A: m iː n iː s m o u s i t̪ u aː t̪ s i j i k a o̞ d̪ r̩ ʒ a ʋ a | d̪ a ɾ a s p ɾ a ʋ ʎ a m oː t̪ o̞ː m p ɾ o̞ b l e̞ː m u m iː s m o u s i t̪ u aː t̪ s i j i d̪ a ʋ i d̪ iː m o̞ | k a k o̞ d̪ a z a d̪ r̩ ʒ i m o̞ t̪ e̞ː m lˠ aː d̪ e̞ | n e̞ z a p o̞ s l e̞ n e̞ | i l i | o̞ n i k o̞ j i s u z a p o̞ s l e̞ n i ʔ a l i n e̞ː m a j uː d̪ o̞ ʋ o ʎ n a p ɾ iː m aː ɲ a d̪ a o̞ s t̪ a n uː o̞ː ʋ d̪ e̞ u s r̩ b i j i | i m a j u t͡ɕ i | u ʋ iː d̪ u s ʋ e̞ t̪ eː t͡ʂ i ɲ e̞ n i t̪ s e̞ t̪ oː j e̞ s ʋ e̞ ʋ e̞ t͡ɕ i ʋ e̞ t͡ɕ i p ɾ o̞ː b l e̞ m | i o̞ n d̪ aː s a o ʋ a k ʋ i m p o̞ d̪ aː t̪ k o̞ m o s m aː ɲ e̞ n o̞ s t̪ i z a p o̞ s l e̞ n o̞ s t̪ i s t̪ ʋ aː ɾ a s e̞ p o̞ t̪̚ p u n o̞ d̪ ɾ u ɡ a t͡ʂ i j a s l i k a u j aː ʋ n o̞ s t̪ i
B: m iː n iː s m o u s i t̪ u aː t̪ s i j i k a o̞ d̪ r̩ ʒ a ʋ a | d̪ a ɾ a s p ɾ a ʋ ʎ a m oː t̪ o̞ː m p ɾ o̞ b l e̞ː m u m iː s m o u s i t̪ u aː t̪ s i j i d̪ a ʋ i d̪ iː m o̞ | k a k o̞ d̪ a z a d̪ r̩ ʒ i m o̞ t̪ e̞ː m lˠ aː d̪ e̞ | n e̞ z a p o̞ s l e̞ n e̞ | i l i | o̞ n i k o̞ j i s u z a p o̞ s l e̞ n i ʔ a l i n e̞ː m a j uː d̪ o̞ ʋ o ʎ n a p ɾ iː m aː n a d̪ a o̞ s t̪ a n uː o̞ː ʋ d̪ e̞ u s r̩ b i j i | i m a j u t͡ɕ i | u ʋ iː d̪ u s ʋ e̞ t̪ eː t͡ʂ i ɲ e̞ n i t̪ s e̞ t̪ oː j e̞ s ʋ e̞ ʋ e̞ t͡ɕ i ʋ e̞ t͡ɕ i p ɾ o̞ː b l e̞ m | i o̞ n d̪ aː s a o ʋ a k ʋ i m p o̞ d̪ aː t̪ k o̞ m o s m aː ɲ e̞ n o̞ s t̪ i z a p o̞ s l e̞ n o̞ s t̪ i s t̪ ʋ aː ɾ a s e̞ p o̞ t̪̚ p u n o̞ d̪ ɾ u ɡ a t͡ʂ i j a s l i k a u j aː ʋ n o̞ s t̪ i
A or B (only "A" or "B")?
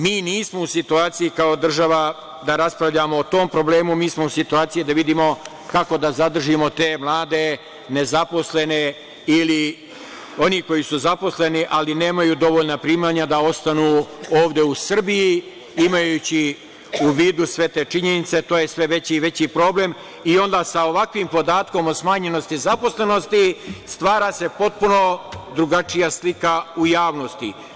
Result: A